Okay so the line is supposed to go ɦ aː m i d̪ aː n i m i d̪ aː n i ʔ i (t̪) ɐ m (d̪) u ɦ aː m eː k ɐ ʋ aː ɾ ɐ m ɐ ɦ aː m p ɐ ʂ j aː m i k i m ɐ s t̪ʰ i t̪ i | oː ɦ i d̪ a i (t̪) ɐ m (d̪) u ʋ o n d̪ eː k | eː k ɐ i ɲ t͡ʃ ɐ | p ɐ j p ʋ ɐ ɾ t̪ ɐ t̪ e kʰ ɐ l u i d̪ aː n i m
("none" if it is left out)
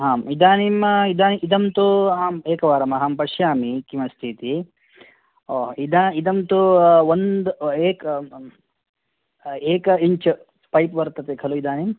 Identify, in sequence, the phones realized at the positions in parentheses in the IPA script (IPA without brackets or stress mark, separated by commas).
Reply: d̪, t̪, d̪, t̪